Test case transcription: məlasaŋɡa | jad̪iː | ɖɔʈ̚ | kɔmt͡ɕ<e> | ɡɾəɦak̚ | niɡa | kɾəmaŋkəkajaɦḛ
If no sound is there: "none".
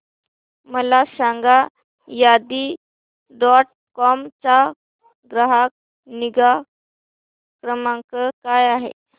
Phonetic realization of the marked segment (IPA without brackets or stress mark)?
a